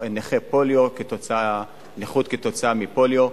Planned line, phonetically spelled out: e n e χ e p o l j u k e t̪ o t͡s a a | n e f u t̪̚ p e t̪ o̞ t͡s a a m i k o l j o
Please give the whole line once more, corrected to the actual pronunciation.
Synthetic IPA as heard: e n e χ e p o l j o k e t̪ o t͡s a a | n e χ u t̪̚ k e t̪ o̞ t͡s a a m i p o l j o